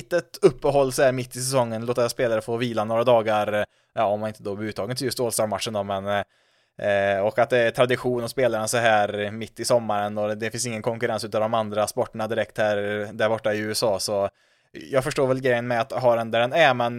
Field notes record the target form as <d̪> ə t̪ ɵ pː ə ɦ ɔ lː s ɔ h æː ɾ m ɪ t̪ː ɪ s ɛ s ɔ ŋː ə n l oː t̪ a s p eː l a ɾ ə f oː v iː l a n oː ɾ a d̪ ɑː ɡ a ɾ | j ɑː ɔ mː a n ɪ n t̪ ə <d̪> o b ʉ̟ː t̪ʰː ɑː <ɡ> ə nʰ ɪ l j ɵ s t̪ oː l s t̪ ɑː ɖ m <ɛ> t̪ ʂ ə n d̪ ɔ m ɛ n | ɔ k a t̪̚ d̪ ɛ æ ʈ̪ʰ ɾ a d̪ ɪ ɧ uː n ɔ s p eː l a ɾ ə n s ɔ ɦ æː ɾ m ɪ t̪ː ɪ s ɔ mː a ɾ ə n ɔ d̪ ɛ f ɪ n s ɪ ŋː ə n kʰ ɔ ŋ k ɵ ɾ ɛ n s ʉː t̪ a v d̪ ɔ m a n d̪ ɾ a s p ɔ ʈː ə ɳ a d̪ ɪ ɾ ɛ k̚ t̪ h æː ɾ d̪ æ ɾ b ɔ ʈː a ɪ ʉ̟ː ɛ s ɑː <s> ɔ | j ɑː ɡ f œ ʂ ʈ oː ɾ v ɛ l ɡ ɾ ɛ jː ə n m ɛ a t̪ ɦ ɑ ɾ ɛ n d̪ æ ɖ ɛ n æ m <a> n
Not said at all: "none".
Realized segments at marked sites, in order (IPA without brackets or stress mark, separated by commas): t̪, d̪, ɡ, a, s, ɛ